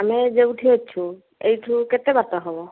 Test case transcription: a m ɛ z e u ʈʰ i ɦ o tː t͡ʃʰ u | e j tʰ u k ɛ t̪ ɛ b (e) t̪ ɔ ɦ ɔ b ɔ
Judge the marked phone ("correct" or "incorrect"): incorrect